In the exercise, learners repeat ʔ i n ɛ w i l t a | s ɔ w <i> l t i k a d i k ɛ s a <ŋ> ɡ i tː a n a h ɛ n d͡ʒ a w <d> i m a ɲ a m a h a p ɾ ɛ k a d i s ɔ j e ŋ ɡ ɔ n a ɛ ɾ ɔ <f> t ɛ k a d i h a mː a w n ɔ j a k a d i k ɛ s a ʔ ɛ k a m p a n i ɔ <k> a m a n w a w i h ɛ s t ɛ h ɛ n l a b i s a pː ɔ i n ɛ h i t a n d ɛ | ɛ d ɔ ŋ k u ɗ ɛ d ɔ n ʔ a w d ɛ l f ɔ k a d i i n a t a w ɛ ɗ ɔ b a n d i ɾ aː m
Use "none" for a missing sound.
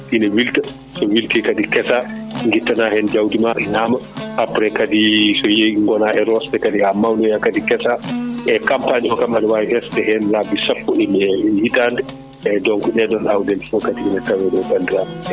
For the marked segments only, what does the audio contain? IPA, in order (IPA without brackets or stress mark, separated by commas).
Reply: i, ŋ, d, s, k